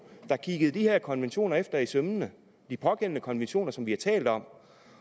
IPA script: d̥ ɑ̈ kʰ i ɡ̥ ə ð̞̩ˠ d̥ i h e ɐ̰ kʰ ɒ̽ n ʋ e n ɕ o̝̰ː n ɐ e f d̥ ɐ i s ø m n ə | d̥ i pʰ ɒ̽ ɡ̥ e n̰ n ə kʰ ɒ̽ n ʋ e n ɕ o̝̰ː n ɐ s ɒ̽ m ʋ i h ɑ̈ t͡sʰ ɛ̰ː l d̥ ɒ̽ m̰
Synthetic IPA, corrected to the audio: d̥ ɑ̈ kʰ i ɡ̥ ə ð̞̩ˠ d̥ i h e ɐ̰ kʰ ɒ̽ n ʋ e n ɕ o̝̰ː n ɐ e f d̥ ɐ i s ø m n ə | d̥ i pʰ ɒ̽ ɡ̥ e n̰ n ə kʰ ɒ̽ n ʋ e n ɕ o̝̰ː n ɐ s ɒ̽ m ʋ i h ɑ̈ t͡sʰ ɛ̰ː l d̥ ɒ̽ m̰